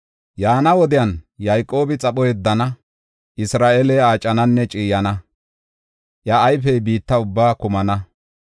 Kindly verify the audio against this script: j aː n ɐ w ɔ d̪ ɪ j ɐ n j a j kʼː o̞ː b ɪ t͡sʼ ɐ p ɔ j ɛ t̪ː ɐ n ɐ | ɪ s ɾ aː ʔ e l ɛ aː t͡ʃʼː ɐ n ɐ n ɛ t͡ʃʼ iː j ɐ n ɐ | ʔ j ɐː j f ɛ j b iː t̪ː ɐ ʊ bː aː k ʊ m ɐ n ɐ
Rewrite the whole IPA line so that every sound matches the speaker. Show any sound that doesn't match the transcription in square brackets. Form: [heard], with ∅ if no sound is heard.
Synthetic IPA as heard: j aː n ɐ w ɔ d̪ ɪ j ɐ n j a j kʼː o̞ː b ɪ t͡sʼ ɐ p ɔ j ɛ [d̪ː] ɐ n ɐ | ɪ s ɾ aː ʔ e l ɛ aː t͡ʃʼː ɐ n ɐ [nː] ɛ t͡ʃʼ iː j ɐ n ɐ | ʔ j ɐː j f ɛ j b iː t̪ː ɐ ʊ bː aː k ʊ m ɐ n ɐ